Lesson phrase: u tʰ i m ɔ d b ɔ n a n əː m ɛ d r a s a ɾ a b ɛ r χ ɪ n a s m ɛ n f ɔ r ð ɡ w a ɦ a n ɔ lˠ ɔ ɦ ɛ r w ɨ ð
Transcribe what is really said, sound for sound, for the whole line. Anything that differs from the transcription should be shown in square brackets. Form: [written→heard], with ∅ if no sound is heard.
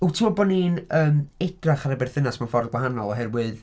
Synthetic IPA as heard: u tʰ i m ɔ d b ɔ n [a→i] n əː m ɛ d r a [s→χ] a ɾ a b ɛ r [χ→θ] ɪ n a s m [ɛ→a] n f ɔ r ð ɡ w a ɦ a n ɔ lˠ ɔ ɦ ɛ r w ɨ ð